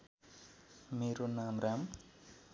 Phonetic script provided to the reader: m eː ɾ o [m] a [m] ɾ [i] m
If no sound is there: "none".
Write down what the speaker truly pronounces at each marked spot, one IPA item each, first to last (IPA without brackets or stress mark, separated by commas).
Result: n, m, a